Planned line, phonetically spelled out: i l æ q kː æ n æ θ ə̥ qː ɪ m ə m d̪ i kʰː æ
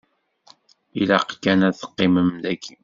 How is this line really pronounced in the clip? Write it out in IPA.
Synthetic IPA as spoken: i l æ q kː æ n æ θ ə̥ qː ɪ m ə m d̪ æ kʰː i